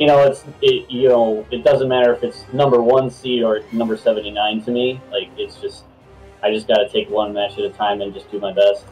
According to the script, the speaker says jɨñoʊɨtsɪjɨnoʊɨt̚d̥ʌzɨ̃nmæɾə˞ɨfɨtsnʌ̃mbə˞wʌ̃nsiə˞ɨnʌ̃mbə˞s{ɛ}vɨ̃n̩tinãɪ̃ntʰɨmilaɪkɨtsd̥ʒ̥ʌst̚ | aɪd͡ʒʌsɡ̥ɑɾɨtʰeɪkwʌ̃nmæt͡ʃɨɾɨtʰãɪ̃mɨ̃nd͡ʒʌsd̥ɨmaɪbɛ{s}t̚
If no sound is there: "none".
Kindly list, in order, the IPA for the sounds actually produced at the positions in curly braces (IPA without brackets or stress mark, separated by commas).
ɛ, s